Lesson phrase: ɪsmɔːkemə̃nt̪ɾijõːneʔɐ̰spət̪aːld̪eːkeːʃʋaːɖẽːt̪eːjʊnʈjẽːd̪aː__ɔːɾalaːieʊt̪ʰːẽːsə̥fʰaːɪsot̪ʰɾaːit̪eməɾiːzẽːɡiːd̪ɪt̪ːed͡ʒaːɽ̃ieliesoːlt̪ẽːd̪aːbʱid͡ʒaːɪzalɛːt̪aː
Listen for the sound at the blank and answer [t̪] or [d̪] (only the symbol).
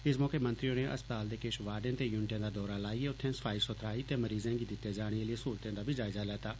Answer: d̪